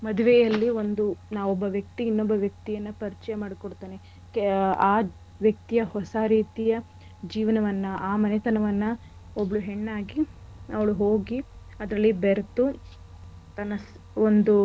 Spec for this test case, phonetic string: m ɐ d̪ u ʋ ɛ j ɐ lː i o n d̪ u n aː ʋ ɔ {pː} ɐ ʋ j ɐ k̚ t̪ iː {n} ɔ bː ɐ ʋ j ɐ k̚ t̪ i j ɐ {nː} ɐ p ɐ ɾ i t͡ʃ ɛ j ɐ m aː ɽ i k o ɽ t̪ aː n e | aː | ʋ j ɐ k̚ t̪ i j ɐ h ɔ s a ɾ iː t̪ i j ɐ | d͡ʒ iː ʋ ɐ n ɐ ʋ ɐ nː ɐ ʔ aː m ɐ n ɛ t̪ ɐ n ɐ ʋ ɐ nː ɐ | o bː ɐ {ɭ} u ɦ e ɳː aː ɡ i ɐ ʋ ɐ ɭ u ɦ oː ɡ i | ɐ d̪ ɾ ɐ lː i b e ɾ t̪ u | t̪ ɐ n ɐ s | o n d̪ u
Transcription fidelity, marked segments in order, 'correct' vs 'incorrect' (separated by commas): incorrect, incorrect, correct, correct